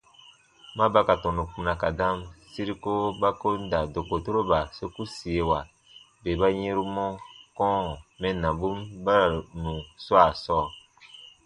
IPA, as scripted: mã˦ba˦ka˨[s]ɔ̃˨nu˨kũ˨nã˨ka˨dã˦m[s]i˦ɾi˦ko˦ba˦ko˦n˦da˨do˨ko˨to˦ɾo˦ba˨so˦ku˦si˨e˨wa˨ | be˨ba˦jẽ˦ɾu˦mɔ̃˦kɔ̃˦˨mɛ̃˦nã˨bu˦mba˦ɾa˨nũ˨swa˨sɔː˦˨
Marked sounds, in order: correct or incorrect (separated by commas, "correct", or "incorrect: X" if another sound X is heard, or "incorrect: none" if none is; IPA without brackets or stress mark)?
incorrect: t, correct